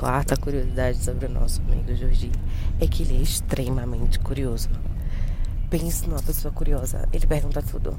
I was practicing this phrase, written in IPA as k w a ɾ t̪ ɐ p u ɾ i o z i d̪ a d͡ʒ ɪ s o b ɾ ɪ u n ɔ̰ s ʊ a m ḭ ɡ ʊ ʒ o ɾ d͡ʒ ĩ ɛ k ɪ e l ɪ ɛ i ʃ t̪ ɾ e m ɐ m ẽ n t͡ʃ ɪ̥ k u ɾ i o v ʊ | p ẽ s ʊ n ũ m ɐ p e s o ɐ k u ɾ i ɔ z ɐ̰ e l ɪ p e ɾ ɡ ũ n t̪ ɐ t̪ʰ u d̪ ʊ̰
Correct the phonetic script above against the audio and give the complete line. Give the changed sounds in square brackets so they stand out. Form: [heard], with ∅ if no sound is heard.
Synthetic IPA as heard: k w a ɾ t̪ ɐ [k] u ɾ i o z i d̪ a d͡ʒ ɪ s o b ɾ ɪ [ʊ] n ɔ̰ s ʊ a m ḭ ɡ ʊ ʒ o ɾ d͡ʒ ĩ ɛ k ɪ e l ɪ ɛ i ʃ t̪ ɾ e m ɐ m ẽ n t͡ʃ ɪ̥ k u ɾ i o [z] ʊ | p ẽ s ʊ n ũ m ɐ p e s o ɐ k u ɾ i ɔ z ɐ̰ e l ɪ p e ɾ ɡ ũ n t̪ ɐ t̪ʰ u d̪ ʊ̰